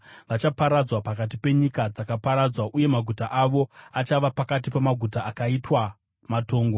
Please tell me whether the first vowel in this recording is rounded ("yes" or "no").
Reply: no